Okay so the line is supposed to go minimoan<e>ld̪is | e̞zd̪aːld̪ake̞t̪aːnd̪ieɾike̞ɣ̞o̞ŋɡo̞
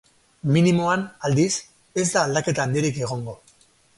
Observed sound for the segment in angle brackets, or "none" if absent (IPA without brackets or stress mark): a